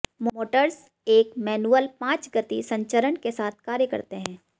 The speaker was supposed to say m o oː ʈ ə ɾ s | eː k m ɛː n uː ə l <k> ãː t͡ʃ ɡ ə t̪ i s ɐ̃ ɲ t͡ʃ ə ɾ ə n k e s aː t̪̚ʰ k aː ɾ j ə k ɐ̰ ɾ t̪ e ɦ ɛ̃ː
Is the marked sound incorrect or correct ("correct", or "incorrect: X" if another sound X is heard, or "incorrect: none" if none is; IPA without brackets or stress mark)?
incorrect: p